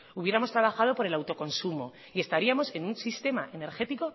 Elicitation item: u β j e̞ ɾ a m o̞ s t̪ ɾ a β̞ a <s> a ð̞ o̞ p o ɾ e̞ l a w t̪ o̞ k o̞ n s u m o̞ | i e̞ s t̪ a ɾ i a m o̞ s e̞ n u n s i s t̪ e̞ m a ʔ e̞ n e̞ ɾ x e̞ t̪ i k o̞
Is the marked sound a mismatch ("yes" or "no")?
yes